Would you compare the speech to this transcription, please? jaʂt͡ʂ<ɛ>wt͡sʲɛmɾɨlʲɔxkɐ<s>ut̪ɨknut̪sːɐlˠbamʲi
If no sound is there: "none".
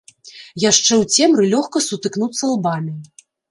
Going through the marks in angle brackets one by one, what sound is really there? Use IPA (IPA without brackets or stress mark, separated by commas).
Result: ɛ, s